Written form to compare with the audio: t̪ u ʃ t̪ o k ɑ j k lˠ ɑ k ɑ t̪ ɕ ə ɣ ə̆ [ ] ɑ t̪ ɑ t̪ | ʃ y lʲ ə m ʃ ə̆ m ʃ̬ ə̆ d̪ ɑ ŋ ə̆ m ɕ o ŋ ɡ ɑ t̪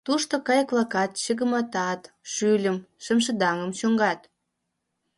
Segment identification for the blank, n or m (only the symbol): m